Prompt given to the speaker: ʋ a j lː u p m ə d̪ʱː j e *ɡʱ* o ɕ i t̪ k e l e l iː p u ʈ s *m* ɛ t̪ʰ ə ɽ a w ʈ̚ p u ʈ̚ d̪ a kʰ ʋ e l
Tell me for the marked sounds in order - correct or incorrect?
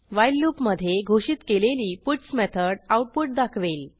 correct, correct

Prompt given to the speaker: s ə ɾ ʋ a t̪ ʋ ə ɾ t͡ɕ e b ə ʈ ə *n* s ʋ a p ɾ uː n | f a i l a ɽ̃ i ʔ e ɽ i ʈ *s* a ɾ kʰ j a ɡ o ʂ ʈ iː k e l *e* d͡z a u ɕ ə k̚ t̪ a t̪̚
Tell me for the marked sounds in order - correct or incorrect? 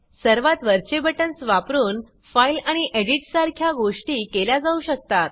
correct, correct, incorrect: a

